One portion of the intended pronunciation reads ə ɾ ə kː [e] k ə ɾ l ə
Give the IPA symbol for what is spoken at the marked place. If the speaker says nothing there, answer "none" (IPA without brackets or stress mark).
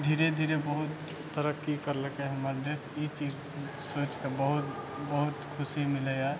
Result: i